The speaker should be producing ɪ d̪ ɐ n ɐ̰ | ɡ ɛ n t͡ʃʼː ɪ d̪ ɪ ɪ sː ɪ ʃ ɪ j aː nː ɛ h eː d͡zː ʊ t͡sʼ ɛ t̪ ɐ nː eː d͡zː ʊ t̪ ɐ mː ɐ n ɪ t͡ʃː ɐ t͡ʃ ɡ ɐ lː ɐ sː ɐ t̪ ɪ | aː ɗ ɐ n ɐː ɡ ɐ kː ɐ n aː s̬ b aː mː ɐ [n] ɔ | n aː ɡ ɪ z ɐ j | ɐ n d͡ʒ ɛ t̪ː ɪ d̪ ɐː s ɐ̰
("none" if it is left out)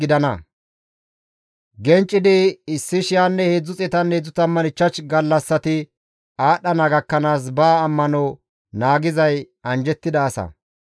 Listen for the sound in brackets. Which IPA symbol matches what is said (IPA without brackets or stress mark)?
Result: n